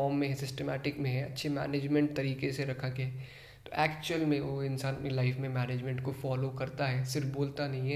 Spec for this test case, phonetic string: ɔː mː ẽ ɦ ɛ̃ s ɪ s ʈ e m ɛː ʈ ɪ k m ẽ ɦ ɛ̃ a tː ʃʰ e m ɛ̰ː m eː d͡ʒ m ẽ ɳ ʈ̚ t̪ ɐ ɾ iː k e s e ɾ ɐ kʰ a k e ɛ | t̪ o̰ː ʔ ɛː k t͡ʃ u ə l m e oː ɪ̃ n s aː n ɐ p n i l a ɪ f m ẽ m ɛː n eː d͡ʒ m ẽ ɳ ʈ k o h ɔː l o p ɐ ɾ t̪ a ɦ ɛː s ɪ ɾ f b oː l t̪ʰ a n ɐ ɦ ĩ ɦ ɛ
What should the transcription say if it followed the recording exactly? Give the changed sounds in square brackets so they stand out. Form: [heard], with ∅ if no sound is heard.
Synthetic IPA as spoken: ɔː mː ẽ ɦ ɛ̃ s ɪ s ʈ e m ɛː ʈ ɪ k m ẽ ɦ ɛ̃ [ɐ] tː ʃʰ e m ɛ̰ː [n] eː d͡ʒ m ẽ ɳ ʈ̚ t̪ ɐ ɾ iː k e s e ɾ ɐ kʰ a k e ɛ | t̪ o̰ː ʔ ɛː k t͡ʃ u ə l m [ẽ] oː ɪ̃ n s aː n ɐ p n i l a ɪ f m ẽ m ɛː n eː d͡ʒ m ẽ ɳ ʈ k o [f] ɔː l o [k] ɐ ɾ t̪ a ɦ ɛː s ɪ ɾ f b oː l [t̪] a n ɐ ɦ ĩ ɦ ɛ